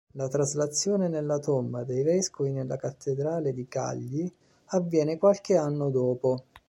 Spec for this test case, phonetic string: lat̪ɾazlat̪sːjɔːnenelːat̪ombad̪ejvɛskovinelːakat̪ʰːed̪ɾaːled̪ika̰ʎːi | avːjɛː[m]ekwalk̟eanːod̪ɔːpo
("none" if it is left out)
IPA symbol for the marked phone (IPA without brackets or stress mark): n